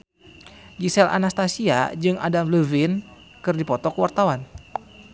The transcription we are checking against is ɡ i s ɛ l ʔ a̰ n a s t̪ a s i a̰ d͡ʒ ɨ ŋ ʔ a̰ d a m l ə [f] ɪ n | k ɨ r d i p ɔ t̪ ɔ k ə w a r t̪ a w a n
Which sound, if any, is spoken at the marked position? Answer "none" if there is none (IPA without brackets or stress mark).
v